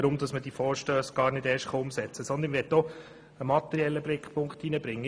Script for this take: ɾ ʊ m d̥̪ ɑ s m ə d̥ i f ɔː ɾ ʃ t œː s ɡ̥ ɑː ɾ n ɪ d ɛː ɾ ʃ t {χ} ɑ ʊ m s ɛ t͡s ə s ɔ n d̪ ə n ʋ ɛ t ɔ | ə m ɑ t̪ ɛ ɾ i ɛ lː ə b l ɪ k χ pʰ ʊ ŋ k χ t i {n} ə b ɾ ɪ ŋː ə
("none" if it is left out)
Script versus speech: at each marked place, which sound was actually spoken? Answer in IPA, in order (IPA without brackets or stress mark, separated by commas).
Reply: χ, n